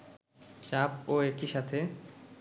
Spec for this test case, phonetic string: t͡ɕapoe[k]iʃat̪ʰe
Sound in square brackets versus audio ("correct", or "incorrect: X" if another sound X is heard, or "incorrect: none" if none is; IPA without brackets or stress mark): correct